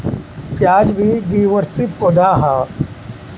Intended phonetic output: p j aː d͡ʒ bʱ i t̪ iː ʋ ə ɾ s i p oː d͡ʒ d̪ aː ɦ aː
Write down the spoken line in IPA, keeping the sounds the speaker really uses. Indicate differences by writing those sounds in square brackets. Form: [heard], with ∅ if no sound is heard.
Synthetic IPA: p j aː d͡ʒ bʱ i [d̪] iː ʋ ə ɾ s i p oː [∅] d̪ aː ɦ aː